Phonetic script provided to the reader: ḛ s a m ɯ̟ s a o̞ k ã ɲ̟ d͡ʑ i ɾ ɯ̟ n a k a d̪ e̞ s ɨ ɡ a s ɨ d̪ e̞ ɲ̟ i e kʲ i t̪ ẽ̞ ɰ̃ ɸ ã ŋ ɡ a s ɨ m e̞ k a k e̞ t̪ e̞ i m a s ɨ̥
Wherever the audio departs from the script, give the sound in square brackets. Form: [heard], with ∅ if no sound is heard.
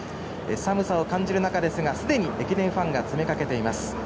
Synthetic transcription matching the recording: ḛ s a m ɯ̟ s a o̞ k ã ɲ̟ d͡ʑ i ɾ ɯ̟ n a k a d̪ e̞ s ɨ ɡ a s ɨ d̪ e̞ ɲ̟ i e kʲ i [d̪] ẽ̞ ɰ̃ ɸ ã ŋ ɡ a [t͡s] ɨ m e̞ k a k e̞ t̪ e̞ i m a s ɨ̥